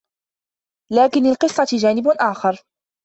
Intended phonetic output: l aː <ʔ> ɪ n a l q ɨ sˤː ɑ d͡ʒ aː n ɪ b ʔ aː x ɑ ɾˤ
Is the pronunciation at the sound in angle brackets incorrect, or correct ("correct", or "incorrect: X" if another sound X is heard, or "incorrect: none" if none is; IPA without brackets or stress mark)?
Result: incorrect: k